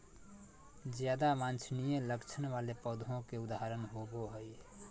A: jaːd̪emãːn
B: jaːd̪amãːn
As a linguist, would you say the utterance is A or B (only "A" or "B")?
B